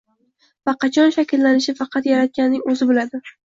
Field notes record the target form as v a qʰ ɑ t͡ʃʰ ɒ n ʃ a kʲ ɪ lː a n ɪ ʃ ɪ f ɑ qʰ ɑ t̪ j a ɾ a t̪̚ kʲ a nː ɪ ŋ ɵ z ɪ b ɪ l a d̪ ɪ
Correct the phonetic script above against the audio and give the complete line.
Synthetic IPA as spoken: v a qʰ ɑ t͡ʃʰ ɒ n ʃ a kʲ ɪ lː a n ɪ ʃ ɪ f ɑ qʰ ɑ t̪ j a ɾ a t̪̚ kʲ a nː ɪ ŋ ɵ z ɪ b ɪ l a d̪ ɪ